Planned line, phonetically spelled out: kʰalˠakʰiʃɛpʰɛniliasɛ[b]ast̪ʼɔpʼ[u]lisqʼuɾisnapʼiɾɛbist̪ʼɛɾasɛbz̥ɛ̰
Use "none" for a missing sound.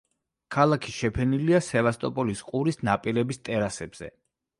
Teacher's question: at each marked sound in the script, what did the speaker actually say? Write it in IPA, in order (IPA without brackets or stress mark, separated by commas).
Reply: v, ɔ